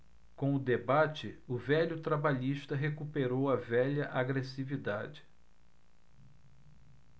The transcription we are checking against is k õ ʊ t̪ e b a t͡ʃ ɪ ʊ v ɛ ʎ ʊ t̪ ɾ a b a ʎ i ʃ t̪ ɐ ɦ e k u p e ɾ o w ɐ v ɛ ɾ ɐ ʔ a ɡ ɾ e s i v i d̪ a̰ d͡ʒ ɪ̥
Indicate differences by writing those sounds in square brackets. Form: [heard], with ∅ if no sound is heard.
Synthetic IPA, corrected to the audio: k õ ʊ [d̪] e b a t͡ʃ ɪ ʊ v ɛ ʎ ʊ t̪ ɾ a b a ʎ i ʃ t̪ ɐ ɦ e k u p e ɾ o w ɐ v ɛ [ʎ] ɐ ʔ a ɡ ɾ e s i v i d̪ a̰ d͡ʒ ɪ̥